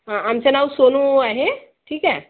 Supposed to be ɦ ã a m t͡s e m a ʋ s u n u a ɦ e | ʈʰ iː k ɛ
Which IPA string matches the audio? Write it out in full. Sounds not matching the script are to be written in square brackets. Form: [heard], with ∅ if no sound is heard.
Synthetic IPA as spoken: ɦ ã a m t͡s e [n] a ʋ s [o] n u a ɦ e | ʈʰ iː k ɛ